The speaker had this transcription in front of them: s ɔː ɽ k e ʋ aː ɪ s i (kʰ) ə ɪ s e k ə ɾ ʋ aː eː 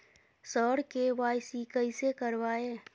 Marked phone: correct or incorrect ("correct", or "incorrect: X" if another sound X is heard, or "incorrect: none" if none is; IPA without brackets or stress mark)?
incorrect: k